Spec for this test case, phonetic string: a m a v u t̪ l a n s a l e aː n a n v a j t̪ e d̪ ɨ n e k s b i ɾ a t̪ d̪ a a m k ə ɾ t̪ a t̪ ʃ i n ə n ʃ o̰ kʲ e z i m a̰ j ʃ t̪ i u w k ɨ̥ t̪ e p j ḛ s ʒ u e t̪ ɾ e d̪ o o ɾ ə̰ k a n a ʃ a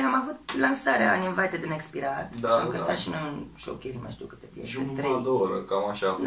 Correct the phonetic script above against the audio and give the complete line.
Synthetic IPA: a m a v u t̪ l a n s a ɾ e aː n i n v a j t̪ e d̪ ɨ n e k s p i ɾ a t̪ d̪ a a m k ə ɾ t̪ a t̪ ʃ i n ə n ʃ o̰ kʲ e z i m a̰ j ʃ t̪ i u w k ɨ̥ t̪ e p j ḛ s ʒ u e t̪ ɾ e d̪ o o ɾ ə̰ k a m a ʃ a